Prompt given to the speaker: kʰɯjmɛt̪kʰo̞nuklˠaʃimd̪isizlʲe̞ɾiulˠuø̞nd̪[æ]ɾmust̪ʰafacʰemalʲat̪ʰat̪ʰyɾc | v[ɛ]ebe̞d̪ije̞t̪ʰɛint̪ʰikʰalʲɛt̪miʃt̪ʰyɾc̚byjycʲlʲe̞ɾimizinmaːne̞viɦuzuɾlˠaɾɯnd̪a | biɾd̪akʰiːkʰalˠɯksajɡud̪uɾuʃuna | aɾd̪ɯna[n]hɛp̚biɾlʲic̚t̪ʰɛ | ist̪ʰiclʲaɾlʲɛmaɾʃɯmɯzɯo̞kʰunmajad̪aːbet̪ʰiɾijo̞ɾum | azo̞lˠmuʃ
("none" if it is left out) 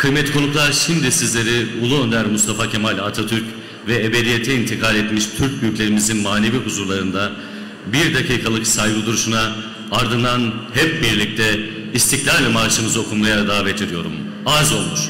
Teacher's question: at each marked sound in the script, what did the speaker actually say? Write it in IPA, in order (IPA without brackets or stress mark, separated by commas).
æ, ɛ, n